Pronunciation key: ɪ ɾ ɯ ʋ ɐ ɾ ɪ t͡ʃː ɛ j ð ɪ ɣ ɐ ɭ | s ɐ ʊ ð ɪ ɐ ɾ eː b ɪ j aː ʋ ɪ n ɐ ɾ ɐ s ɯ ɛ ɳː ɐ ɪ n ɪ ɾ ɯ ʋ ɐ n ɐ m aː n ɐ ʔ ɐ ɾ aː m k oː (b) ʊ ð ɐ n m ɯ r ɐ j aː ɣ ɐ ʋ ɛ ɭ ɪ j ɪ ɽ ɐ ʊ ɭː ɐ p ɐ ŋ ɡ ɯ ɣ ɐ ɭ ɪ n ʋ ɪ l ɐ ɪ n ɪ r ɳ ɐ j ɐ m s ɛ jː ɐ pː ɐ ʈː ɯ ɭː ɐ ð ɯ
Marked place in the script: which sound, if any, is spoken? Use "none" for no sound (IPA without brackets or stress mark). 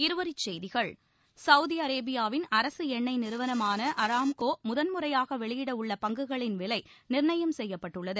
m